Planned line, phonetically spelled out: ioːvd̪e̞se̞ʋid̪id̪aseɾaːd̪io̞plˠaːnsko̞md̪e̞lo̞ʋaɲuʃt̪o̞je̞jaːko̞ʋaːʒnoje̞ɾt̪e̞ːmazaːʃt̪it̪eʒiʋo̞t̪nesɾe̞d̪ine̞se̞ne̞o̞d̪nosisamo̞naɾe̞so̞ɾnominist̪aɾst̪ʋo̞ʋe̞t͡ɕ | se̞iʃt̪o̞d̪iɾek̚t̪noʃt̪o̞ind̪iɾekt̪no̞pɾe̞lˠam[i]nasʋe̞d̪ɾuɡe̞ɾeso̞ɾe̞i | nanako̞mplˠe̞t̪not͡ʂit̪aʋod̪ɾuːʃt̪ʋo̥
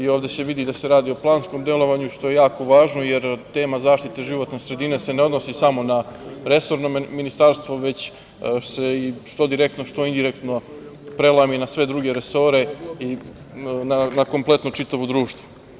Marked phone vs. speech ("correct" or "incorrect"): correct